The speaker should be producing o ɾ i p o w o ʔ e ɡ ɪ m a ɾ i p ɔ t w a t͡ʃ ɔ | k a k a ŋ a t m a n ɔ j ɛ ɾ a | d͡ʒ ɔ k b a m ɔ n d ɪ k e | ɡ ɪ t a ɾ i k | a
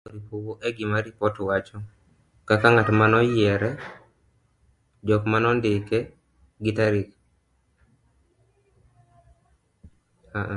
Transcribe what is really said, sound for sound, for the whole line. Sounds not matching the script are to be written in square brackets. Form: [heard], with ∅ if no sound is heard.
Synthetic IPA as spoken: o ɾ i p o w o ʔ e ɡ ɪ m a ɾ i p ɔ t w a t͡ʃ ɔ | k a k a ŋ a t m a n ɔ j ɛ ɾ [ɛ] | d͡ʒ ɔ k [m] a [n] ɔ n d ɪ k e | ɡ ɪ t a ɾ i k | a